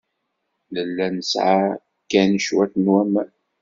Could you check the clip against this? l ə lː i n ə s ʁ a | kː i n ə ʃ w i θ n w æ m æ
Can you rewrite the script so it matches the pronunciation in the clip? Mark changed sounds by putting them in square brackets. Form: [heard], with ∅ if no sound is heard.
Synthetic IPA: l ə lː [æ] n ə s [ʕ] a | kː [æ] n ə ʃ w [æ] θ n w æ m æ